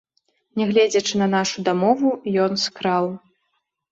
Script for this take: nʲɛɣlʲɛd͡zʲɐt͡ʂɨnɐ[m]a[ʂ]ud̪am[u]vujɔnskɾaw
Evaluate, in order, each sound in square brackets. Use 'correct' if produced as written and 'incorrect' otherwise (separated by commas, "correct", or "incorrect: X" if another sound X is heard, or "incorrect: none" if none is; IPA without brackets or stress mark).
incorrect: n, correct, incorrect: ɔ